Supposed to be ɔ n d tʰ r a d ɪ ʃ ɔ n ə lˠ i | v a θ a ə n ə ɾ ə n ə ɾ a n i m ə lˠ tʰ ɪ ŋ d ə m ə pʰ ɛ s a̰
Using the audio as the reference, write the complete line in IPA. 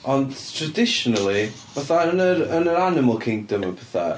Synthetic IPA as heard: ɔ n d tʰ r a d ɪ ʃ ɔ n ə lˠ i | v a θ a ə n ə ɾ ə n ə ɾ a n ɪ m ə lˠ kʰ ɪ ŋ d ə m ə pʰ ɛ θ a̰